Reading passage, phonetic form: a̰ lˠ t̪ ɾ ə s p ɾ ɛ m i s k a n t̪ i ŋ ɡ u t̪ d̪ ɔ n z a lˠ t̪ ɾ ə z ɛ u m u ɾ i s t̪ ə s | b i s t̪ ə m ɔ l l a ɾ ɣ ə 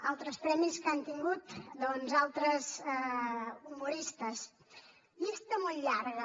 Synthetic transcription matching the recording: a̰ lˠ t̪ ɾ ə s p ɾ ɛ m i s k a n t̪ i ŋ ɡ u t̪ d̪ ɔ n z a lˠ t̪ ɾ ə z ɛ u m u ɾ i s t̪ ə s | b i s t̪ ə m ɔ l ʎ a ɾ ɣ ə